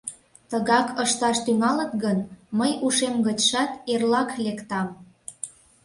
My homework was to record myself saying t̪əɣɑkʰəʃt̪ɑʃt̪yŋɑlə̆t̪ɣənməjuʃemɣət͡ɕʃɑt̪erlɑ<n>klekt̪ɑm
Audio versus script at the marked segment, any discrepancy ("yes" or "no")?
yes